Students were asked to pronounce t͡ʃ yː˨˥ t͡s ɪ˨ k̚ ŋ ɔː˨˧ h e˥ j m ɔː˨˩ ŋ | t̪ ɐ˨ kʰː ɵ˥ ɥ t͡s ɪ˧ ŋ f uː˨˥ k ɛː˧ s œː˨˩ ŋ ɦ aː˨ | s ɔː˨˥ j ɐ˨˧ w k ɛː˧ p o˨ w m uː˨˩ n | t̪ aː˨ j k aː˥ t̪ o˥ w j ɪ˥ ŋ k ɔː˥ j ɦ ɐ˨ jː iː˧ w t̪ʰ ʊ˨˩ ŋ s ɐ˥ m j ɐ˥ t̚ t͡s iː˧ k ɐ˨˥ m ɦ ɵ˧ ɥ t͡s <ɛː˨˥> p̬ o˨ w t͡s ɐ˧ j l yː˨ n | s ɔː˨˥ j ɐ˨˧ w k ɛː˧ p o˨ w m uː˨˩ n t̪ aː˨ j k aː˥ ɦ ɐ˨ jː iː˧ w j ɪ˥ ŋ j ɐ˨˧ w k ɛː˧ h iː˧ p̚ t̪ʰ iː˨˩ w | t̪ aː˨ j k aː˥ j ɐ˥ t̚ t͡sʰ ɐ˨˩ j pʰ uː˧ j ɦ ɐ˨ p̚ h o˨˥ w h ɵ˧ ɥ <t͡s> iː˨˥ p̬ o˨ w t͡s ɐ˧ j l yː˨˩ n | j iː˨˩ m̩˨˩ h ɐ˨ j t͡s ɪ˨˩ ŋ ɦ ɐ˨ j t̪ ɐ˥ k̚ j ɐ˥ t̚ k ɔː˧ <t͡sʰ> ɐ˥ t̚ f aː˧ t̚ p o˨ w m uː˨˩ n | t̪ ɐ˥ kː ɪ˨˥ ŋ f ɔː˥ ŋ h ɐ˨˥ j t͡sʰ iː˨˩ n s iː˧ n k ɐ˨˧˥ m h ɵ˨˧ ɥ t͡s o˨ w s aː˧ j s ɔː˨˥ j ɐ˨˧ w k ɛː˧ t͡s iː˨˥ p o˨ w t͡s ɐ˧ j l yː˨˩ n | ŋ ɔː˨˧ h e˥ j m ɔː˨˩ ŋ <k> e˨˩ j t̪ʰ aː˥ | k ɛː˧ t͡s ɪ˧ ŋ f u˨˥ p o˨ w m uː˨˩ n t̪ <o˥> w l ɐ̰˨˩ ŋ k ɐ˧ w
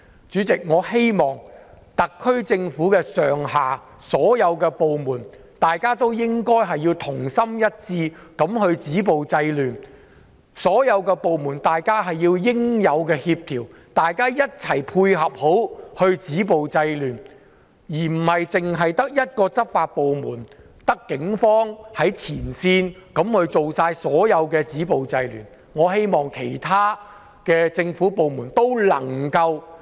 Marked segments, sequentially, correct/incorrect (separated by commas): incorrect, correct, incorrect, incorrect, correct